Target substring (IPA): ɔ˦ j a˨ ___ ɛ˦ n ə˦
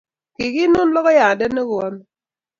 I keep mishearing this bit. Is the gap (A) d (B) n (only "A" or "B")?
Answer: A